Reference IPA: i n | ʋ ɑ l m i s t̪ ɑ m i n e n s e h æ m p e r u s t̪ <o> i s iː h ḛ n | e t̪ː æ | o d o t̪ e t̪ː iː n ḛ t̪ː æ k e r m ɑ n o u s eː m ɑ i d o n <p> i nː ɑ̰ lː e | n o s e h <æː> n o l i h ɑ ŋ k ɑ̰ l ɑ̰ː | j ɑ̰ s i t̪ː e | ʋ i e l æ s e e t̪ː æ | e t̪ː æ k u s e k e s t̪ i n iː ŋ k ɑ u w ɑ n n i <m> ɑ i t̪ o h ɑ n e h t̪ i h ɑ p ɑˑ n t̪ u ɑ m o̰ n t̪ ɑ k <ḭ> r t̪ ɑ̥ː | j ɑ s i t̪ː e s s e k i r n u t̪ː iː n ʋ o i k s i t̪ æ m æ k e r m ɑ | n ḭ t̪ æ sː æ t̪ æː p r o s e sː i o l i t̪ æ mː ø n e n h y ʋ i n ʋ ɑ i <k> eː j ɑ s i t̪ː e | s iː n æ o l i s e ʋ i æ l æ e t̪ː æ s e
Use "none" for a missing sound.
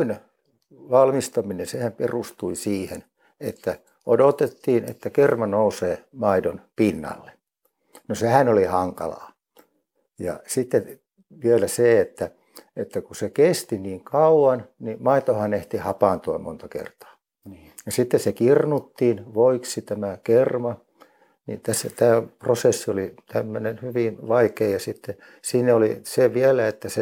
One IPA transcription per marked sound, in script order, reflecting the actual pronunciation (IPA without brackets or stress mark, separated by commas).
u, p, æ, m, ḛ, k